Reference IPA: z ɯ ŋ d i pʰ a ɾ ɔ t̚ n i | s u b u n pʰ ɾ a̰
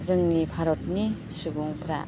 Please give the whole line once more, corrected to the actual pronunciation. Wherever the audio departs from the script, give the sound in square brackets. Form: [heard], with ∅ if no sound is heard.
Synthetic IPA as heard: z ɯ ŋ [n] i pʰ a ɾ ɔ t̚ n i | s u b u [ŋ] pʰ ɾ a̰